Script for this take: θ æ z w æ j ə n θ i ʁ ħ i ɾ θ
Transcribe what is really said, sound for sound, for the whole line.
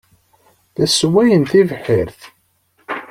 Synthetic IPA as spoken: θ æ s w æ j ə n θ i v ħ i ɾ θ